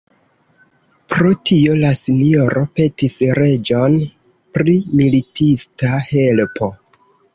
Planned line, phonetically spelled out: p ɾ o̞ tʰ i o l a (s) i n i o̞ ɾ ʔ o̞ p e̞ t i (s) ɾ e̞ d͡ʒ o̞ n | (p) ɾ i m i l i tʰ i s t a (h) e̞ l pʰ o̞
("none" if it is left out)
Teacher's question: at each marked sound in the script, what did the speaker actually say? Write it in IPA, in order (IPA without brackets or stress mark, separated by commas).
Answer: s, s, p, h